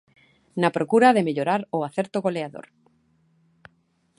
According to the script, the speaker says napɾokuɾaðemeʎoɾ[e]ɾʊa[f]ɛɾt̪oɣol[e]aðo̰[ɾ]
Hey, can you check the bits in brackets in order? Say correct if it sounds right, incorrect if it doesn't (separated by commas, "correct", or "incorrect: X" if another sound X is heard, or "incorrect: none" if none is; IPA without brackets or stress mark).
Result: incorrect: a, incorrect: θ, correct, correct